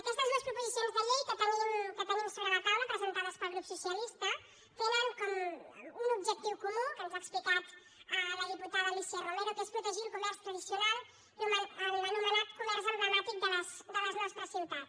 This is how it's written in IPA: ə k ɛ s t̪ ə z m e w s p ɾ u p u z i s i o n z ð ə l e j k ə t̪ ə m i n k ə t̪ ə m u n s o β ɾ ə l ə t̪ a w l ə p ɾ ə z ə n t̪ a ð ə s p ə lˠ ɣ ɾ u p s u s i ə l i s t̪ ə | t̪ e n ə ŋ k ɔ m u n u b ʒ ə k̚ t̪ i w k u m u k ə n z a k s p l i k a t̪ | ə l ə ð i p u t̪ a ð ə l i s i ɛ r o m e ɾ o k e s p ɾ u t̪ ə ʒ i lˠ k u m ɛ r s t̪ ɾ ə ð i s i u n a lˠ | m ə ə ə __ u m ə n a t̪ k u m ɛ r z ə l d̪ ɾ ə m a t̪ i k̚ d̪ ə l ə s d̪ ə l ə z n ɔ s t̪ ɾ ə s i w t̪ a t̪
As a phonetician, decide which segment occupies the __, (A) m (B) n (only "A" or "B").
B